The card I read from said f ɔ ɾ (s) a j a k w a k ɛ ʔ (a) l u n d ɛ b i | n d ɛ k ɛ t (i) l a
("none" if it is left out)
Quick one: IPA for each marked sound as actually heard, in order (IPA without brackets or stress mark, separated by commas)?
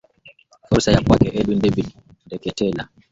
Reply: s, ɛ, ɛ